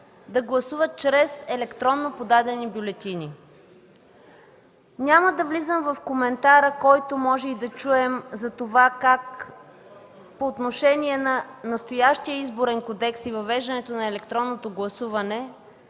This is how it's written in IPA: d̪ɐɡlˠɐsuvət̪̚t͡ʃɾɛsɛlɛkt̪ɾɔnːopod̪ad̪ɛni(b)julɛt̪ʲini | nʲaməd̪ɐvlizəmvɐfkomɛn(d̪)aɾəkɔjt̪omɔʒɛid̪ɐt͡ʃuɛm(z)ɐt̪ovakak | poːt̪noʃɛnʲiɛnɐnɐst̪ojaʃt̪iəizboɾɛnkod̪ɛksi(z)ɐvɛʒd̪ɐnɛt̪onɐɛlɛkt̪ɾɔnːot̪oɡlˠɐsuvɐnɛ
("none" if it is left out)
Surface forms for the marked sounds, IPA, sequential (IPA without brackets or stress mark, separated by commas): b, t̪, z, v